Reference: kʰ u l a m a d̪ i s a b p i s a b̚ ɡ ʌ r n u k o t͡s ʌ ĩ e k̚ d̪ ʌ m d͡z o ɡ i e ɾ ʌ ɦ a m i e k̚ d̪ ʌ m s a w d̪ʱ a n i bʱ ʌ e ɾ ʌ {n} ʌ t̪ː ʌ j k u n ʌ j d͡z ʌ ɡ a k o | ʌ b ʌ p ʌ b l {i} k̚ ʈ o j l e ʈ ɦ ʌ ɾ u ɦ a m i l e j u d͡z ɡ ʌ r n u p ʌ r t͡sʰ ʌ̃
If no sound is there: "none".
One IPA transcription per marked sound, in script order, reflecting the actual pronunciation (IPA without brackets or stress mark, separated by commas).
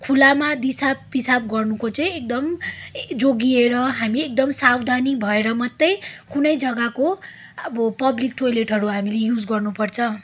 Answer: m, i